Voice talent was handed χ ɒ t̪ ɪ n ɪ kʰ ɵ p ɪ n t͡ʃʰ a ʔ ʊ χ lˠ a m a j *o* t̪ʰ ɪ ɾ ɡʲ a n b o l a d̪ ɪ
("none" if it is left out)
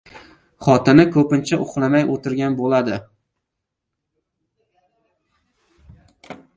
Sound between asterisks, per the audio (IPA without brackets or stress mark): o